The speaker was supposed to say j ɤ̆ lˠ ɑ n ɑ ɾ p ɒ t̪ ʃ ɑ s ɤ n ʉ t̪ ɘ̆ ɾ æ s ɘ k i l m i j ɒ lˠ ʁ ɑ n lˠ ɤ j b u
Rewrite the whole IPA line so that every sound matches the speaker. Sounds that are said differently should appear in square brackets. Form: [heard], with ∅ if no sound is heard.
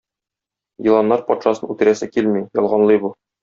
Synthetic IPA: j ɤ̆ lˠ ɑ [nː] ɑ ɾ p ɒ t̪ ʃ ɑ s ɤ n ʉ t̪ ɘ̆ ɾ æ s ɘ k i l m i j ɒ lˠ ʁ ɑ n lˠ ɤ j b u